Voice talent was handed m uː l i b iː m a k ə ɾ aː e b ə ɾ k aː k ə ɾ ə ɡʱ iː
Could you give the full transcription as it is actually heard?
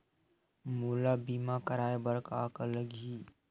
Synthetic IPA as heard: m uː l a b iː m a k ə ɾ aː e b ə ɾ k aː k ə l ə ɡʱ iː

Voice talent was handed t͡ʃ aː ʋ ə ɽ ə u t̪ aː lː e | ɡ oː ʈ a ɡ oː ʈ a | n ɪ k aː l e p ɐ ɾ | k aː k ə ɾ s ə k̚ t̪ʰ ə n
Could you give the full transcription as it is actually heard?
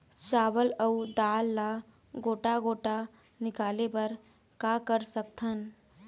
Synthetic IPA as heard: t͡ʃ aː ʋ ə l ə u d̪ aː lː a | ɡ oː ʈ a ɡ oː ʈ a | n ɪ k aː l e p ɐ ɾ | k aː k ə ɾ s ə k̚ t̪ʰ ə n

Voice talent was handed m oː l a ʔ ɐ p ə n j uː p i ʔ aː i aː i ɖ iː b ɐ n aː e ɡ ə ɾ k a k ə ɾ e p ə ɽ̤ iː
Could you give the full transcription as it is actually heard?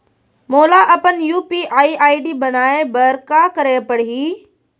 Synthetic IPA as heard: m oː l a ʔ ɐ p ə n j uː p i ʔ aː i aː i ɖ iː b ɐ n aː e b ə ɾ k a k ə ɾ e p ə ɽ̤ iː

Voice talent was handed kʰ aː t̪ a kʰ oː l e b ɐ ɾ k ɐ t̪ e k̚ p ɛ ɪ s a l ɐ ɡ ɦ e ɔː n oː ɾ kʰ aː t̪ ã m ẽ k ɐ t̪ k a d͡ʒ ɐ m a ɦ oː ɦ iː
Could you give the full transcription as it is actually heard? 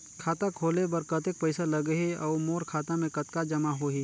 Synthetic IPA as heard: kʰ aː t̪ a kʰ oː l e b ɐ ɾ k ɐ t̪ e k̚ p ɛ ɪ s a l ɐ ɡ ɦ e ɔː m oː ɾ kʰ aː t̪ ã m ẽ k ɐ t̪ k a d͡ʒ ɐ m a ɦ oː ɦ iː

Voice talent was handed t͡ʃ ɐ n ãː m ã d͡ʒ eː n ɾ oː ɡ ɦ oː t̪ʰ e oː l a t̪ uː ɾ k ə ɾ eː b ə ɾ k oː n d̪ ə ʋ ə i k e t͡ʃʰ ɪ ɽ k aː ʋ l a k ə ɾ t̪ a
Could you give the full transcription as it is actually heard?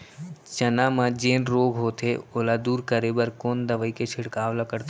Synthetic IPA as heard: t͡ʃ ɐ n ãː m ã d͡ʒ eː n ɾ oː ɡ ɦ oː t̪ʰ e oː l a d̪ uː ɾ k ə ɾ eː b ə ɾ k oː n d̪ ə ʋ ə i k e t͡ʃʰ ɪ ɽ k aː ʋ l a k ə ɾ t̪ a

